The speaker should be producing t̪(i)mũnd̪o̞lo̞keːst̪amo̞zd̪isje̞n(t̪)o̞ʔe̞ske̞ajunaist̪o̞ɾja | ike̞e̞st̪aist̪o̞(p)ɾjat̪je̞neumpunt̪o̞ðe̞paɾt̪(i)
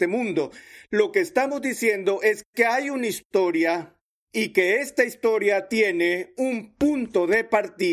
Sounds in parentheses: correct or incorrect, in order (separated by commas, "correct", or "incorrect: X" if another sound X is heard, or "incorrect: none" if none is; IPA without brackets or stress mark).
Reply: incorrect: e, incorrect: d̪, incorrect: none, correct